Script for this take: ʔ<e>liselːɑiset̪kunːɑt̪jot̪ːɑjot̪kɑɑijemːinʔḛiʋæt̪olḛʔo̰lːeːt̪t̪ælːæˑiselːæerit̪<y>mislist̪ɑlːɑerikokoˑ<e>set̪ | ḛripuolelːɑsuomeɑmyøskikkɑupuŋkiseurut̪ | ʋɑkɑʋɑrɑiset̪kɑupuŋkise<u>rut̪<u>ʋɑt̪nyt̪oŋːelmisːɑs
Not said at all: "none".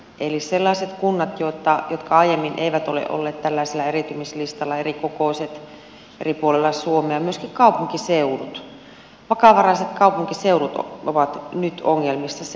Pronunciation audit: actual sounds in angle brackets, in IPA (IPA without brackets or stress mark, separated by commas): e, y, i, u, o